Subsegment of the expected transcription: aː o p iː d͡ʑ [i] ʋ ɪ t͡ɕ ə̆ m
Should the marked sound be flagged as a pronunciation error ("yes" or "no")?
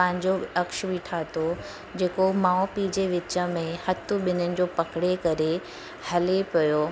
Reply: yes